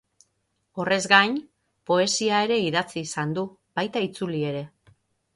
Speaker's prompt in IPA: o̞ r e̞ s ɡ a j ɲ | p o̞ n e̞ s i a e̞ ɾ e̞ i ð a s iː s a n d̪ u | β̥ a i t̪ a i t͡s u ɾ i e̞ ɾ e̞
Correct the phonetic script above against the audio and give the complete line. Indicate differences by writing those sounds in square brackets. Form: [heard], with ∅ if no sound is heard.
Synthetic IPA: o̞ r e̞ [z] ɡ a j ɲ | p o̞ [∅] e̞ s i a e̞ ɾ e̞ i ð a [t͡s] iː s a n d̪ u | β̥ a [j] t̪ a i t͡s u [l] i e̞ ɾ e̞